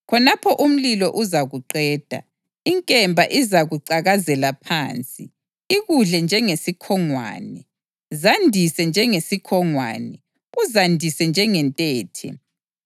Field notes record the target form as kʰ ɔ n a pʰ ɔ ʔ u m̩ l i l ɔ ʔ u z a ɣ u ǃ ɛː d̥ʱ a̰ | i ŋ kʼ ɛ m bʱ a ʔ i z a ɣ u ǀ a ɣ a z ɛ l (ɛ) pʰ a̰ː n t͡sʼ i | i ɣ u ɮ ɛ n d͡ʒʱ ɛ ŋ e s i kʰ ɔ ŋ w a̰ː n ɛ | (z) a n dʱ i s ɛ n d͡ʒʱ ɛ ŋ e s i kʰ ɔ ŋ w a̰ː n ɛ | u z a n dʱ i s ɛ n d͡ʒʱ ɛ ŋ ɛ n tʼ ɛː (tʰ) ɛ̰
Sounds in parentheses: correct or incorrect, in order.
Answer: incorrect, correct, correct

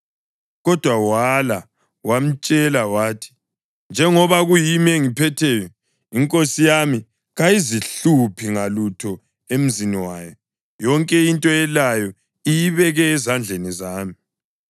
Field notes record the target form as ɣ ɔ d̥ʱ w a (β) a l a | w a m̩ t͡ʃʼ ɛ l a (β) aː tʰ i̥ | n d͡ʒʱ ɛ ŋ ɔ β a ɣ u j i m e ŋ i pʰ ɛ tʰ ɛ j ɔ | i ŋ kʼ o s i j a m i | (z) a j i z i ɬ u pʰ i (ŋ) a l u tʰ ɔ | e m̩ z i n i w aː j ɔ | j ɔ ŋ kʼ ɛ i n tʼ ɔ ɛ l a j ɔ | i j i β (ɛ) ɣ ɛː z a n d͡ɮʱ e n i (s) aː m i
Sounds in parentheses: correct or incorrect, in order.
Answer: incorrect, incorrect, incorrect, correct, correct, incorrect

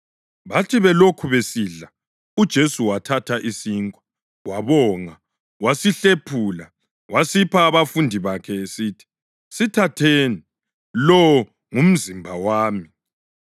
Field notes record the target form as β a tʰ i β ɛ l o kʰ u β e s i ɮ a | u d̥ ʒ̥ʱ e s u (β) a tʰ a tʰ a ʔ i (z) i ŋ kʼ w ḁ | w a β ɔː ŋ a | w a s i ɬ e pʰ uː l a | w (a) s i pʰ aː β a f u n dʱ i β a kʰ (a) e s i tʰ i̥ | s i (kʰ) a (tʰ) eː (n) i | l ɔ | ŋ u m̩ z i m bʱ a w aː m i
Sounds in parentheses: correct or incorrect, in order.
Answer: incorrect, incorrect, correct, incorrect, incorrect, correct, correct

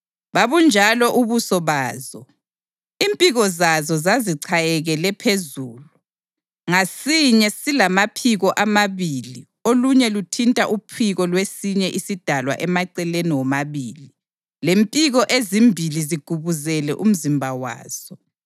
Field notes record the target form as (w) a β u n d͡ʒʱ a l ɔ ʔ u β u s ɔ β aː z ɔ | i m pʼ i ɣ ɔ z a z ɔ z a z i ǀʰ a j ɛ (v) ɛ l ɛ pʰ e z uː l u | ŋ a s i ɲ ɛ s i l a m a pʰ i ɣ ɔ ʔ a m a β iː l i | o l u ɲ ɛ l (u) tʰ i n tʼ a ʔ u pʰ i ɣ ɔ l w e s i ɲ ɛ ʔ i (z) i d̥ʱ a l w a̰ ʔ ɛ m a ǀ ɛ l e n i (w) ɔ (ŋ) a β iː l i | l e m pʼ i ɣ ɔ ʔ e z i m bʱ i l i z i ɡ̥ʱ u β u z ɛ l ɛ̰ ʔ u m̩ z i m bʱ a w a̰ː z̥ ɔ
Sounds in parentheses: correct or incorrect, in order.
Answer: incorrect, incorrect, correct, incorrect, correct, incorrect

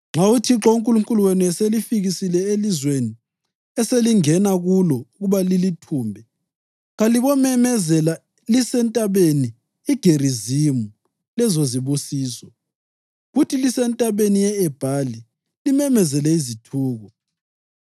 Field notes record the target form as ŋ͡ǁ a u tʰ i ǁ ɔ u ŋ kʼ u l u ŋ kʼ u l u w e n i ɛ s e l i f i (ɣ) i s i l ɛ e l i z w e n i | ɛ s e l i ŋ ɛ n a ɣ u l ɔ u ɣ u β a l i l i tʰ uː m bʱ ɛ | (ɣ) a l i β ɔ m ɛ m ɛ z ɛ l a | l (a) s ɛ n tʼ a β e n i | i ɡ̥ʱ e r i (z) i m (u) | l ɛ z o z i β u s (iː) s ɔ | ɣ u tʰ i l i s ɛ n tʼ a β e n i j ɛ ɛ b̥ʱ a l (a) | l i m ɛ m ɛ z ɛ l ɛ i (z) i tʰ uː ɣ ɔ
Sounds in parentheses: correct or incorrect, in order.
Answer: correct, correct, incorrect, correct, correct, correct, incorrect, correct

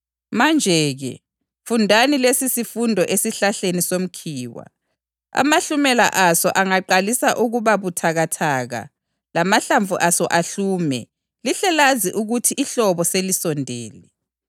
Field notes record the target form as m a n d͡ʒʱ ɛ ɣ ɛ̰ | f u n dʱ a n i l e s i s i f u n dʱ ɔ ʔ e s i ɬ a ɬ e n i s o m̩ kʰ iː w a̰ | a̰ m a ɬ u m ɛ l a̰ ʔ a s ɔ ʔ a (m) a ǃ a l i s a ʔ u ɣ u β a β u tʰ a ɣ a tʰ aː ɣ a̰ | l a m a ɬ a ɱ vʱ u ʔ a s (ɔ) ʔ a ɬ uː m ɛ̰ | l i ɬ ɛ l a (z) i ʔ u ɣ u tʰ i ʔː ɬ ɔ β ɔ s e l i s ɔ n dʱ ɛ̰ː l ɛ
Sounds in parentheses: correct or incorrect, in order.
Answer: incorrect, correct, correct

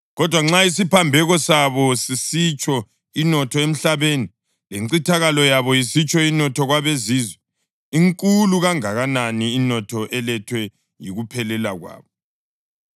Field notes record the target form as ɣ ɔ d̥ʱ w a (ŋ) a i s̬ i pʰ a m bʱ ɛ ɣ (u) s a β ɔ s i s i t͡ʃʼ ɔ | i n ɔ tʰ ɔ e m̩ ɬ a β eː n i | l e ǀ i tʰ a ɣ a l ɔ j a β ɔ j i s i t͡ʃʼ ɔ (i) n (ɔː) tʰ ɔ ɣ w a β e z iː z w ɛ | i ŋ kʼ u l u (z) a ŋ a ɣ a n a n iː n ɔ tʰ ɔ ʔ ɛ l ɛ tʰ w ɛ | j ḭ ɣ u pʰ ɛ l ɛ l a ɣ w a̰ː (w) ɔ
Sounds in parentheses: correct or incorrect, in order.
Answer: incorrect, incorrect, correct, incorrect, incorrect, incorrect

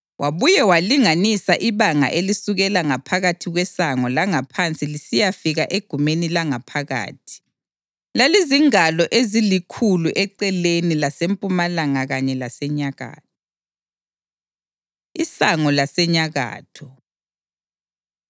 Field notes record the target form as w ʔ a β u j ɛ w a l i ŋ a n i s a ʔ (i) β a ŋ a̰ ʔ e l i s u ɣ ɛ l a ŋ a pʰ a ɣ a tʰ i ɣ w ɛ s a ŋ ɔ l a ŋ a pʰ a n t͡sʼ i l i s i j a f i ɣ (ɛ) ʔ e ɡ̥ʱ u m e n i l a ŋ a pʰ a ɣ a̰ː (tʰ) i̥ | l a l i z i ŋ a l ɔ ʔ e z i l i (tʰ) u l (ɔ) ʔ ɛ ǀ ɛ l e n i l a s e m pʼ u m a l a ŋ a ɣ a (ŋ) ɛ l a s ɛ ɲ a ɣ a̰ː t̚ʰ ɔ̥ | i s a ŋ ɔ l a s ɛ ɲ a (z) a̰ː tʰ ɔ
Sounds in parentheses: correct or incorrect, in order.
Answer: correct, incorrect, correct, incorrect, incorrect, incorrect, incorrect

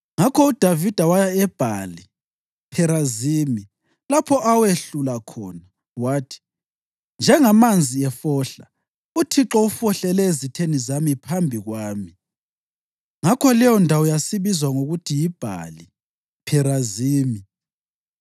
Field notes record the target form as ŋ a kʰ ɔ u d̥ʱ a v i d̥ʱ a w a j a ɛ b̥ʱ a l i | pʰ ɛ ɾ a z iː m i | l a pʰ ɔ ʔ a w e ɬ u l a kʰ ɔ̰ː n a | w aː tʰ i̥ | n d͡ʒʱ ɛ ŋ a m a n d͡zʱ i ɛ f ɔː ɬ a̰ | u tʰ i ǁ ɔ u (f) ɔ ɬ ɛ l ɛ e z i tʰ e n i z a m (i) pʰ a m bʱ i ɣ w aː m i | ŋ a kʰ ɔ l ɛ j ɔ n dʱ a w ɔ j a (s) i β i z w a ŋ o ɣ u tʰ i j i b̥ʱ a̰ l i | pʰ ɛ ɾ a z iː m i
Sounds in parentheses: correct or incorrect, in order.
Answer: correct, correct, correct

